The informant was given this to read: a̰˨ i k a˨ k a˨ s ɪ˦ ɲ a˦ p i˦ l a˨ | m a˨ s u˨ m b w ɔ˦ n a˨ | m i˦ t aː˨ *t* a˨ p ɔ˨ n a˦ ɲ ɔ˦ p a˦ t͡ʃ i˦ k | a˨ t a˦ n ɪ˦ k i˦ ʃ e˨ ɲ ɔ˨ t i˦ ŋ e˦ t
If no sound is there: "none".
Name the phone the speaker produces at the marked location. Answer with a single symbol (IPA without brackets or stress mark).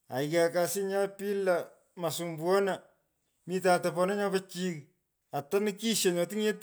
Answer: t